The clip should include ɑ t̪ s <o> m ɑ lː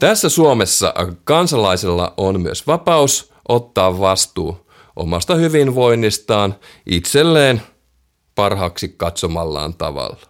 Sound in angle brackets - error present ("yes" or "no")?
no